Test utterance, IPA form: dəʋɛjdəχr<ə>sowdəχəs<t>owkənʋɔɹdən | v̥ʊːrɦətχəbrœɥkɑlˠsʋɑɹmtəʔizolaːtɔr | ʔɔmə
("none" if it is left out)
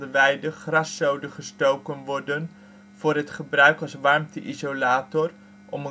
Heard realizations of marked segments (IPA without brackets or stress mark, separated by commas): ɑ, t